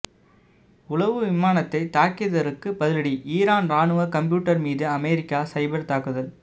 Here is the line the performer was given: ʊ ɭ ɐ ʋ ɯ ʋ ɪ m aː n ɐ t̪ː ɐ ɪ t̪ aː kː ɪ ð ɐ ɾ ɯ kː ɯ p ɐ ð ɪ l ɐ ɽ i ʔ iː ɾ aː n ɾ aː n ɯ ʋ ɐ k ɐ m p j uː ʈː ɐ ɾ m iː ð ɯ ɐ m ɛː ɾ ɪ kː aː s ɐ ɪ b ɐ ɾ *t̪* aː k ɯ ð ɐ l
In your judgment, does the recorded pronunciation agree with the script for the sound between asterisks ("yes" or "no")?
yes